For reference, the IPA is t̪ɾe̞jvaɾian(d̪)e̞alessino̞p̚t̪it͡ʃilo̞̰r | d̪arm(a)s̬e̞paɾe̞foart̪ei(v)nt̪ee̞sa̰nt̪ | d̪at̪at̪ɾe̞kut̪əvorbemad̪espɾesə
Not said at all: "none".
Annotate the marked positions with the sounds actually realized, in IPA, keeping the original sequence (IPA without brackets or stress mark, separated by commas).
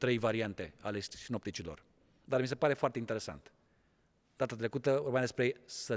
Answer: t̪, i, none